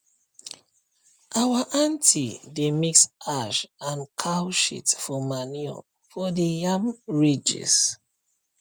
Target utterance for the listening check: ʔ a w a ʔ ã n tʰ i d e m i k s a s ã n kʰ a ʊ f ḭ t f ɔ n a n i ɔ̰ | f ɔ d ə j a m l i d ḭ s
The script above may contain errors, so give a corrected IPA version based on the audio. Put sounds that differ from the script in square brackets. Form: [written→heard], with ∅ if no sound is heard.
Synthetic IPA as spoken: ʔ a w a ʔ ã n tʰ i d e m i k s a [s→ʃ] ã n kʰ a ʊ [f→ʃ] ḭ t f ɔ [n→m] a n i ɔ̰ | f ɔ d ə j a m [l→ɹ] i [d→d͡ʒ] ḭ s